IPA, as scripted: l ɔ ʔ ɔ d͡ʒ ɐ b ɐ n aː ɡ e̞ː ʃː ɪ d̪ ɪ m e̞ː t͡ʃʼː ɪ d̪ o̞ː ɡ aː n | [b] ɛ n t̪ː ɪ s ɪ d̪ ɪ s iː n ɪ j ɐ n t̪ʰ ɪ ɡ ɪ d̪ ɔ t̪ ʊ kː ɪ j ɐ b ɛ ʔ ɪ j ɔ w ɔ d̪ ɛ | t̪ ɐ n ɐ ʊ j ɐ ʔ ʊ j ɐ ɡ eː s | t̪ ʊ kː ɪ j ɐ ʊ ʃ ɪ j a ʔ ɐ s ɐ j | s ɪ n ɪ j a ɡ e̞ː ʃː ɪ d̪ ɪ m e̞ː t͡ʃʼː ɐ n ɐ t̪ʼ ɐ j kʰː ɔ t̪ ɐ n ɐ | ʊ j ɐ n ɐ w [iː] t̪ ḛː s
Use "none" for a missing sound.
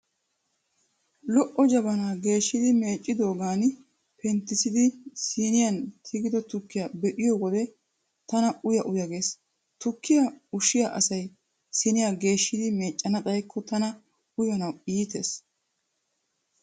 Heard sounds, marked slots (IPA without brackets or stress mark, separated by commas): p, iː